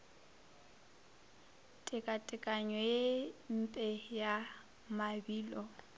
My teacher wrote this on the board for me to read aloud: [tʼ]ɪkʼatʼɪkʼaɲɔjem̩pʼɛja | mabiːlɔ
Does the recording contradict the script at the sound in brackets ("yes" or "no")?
no